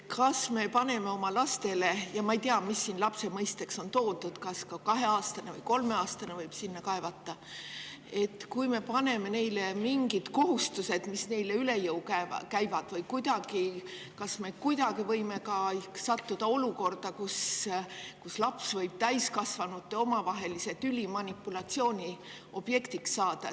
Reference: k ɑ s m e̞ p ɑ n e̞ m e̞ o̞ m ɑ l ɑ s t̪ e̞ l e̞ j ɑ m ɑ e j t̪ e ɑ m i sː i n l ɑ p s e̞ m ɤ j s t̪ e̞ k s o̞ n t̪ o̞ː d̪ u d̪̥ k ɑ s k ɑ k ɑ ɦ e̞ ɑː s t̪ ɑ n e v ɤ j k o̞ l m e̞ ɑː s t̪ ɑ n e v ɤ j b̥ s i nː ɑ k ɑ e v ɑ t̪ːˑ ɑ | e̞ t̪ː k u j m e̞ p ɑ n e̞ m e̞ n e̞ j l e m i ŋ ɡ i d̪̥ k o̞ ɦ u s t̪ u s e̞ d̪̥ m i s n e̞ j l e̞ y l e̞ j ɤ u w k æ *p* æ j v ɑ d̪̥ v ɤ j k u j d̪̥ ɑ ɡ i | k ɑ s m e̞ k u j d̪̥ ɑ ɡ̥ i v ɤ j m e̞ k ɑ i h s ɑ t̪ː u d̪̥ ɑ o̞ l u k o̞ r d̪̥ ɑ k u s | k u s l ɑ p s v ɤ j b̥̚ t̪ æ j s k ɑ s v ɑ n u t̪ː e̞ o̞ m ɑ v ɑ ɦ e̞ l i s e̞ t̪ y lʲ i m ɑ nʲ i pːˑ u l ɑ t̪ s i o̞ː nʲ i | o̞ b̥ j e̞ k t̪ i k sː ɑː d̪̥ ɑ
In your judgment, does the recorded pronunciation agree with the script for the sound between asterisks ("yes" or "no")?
no